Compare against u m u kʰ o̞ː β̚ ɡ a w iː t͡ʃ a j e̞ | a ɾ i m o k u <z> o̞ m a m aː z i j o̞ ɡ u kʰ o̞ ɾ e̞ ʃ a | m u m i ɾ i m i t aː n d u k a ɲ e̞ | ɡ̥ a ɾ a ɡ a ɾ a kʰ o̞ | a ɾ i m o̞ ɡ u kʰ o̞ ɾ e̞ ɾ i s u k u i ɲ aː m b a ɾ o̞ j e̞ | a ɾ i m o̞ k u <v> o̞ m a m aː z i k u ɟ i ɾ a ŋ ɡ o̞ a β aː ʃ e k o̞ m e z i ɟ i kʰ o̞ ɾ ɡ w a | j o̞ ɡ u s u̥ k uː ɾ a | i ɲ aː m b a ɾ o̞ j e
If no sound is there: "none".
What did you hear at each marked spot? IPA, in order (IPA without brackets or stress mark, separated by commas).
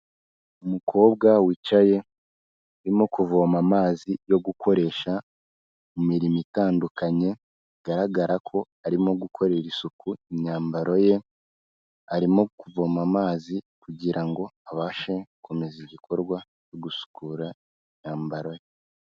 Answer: v, v